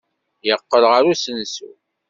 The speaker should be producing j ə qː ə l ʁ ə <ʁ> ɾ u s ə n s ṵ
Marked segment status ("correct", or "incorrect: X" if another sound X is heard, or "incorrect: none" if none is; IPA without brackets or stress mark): incorrect: none